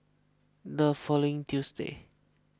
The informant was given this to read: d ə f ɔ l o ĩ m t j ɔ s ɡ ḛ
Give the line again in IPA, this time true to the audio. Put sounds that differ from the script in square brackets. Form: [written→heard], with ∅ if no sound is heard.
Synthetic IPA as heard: d ə f ɔ l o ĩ [m→ŋ] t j [ɔ→u] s [ɡ→d] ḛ